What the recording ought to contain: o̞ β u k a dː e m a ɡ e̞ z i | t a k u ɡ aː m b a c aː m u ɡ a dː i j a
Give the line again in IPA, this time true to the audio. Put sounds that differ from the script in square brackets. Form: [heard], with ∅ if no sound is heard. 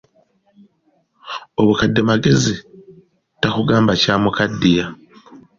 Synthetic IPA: o̞ β u k a dː e m a ɡ e̞ z i | t a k u ɡ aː m b a c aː m u [k] a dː i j a